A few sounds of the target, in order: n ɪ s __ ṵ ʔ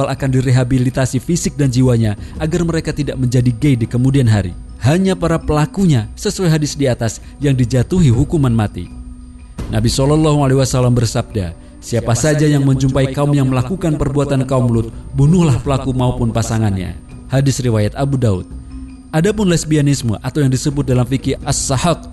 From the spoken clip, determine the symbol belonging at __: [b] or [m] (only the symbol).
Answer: m